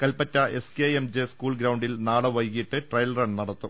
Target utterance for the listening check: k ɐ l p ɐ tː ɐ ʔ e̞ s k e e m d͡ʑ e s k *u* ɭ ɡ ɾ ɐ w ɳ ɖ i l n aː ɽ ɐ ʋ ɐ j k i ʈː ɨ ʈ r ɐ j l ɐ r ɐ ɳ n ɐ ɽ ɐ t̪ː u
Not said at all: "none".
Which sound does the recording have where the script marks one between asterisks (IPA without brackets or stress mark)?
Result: uː